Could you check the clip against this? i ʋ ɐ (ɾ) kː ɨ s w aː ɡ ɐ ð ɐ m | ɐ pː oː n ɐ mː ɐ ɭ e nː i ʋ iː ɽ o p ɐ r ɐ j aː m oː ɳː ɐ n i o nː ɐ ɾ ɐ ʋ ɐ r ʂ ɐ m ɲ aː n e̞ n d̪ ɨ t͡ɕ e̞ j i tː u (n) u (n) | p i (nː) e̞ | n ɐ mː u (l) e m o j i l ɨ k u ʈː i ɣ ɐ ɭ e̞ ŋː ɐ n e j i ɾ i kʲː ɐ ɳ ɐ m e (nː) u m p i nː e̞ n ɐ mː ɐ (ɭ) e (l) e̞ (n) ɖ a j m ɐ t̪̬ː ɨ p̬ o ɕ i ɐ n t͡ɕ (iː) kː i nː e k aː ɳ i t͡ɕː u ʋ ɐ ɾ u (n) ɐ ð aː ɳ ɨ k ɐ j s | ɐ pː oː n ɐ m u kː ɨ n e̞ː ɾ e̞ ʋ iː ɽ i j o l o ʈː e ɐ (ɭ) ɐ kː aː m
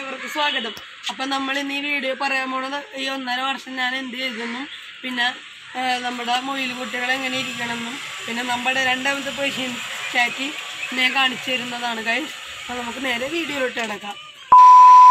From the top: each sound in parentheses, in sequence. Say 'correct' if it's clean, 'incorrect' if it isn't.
incorrect, incorrect, incorrect, correct, incorrect, correct, incorrect, incorrect, incorrect, incorrect, incorrect, incorrect

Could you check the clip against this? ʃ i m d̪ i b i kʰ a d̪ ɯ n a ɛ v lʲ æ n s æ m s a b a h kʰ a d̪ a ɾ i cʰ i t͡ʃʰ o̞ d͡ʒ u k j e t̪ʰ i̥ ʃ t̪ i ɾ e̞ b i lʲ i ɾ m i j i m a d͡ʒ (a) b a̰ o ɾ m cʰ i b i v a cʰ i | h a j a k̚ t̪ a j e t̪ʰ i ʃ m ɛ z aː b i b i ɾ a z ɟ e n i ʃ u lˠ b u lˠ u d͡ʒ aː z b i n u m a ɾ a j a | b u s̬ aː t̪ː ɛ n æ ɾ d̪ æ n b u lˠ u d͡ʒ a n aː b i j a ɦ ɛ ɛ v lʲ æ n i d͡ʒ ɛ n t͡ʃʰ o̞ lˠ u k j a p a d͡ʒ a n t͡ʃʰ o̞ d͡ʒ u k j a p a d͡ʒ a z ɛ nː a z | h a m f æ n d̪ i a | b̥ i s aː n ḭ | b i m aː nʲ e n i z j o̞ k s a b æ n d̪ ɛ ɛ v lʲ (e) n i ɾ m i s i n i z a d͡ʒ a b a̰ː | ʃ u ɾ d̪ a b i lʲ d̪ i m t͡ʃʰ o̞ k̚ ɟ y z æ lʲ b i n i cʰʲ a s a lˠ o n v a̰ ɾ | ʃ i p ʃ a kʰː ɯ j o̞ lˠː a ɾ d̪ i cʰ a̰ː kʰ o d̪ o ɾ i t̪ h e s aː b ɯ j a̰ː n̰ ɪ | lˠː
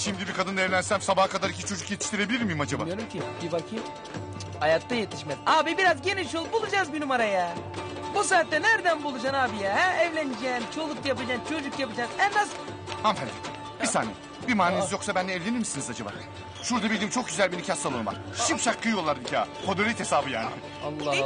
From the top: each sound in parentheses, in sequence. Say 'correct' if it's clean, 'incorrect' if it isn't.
correct, correct

